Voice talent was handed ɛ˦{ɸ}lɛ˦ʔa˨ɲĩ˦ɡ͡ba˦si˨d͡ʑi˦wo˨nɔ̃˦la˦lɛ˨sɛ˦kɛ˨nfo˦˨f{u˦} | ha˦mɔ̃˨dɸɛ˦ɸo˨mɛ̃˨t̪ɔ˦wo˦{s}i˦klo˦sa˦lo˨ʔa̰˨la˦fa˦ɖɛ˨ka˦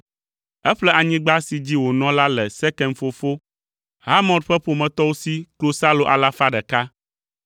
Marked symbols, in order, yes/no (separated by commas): yes, no, yes